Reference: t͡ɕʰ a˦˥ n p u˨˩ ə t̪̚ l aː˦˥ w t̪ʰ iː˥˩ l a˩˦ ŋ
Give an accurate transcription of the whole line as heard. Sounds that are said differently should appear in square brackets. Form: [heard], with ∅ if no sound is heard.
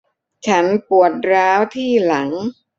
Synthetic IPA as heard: t͡ɕʰ a˦˥ n p u˨˩ ə t̪̚ [ɾ] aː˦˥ w t̪ʰ iː˥˩ l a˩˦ ŋ